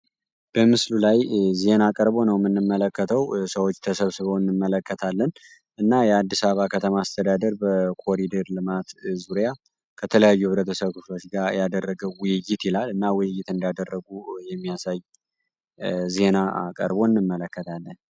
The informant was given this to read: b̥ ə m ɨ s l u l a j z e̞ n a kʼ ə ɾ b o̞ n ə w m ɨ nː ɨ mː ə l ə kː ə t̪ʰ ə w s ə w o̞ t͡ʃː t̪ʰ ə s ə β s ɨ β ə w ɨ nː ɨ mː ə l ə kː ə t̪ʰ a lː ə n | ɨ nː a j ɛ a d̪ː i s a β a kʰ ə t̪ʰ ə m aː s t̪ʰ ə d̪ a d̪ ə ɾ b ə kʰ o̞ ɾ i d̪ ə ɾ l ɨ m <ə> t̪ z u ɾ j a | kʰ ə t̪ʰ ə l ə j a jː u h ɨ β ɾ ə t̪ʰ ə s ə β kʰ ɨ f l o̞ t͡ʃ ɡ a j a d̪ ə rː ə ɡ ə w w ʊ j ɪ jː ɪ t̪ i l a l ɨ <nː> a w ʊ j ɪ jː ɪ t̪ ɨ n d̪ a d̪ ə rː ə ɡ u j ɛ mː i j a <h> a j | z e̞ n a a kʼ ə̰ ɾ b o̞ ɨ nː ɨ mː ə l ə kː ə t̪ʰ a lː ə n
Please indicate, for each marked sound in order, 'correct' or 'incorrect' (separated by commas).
incorrect, correct, incorrect